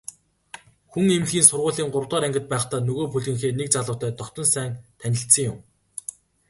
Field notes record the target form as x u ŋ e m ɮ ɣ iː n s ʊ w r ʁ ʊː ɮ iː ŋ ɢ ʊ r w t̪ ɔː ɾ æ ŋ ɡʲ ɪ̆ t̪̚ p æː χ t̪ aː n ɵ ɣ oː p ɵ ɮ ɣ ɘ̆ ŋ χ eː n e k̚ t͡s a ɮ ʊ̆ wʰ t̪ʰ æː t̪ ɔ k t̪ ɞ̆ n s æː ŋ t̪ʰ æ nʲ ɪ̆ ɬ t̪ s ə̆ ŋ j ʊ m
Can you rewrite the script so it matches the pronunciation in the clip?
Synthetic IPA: x u ŋ e m ɮ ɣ iː n s ʊ r ʁ ʊː ɮ iː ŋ ɢ ʊ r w t̪ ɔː ɾ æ ŋ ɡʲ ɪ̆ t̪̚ p æː χ t̪ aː n ɵ ɣ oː p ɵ ɮ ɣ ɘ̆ ŋ x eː n e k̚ t͡s a ɮ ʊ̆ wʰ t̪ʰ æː t̪ ɔ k t̪ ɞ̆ n s æː ŋ t̪ʰ æ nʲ ɪ̆ ɬ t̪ s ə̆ ŋ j ʊ m